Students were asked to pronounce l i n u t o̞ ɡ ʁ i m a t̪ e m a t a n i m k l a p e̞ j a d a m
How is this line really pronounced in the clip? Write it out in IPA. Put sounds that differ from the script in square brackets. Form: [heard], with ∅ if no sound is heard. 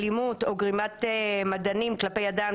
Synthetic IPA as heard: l i [m] u t o̞ ɡ ʁ i m a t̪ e m a [d] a n i m k l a p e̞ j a d a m